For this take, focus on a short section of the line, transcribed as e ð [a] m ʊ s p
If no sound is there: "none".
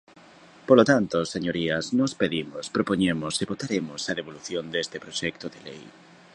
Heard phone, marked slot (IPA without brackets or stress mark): i